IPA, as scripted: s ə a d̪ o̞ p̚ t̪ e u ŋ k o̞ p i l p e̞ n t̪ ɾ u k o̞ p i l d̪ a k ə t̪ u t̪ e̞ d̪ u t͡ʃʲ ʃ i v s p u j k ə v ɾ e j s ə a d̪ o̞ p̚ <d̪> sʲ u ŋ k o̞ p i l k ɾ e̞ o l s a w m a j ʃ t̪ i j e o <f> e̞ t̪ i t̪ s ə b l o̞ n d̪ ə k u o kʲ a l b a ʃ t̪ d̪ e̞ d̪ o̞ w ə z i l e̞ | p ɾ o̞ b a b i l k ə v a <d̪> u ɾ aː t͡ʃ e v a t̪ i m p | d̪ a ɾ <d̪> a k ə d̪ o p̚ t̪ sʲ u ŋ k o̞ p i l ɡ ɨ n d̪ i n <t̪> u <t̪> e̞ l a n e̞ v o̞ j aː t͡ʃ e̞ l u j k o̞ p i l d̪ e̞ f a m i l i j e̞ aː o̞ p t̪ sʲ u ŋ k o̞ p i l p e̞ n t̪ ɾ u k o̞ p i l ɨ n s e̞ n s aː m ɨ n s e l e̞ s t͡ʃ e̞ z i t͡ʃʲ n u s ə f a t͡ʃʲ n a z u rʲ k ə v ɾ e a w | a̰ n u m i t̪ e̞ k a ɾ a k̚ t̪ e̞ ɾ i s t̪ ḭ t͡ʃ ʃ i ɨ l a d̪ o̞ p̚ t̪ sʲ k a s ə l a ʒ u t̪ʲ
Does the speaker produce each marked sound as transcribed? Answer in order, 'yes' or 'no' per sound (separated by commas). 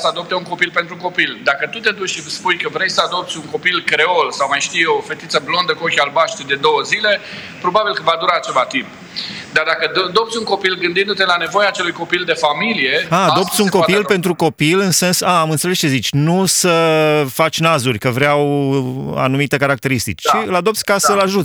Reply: no, yes, yes, yes, no, yes